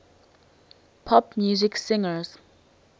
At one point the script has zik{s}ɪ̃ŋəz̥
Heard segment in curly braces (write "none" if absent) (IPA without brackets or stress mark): s